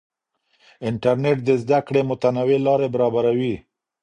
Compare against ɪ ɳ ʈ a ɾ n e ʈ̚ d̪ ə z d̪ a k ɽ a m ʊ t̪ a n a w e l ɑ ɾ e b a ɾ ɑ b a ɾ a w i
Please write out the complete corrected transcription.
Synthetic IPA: ɪ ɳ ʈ a ɾ n e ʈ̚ d̪ ə z d̪ a k ɽ e m ʊ t̪ a n a w e l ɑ ɾ e b a ɾ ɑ b a ɾ a w i